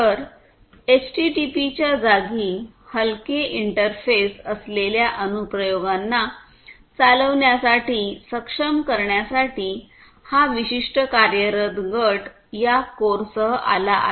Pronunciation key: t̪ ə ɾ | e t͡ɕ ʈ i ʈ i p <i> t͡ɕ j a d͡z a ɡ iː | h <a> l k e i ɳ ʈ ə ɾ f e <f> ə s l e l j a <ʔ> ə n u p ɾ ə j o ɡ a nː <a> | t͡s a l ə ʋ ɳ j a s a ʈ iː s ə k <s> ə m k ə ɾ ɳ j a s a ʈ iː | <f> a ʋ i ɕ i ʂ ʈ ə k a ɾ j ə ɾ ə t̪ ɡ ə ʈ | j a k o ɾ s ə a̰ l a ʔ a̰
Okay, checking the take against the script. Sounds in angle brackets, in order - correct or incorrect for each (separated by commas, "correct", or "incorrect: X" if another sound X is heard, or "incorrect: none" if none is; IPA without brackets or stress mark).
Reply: correct, incorrect: ə, incorrect: s, correct, correct, incorrect: ʂ, incorrect: h